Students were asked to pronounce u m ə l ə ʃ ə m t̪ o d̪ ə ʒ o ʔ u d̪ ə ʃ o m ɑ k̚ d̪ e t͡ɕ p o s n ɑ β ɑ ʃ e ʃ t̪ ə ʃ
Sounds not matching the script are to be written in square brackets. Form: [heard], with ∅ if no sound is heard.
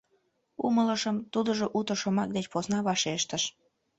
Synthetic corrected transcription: u m ə l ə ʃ ə m t̪ [u] d̪ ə ʒ o ʔ u [t̪] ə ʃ o m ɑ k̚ d̪ e t͡ɕ p o s n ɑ β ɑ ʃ e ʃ t̪ ə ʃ